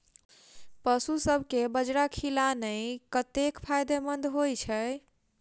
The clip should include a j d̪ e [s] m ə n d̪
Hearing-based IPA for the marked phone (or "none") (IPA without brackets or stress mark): none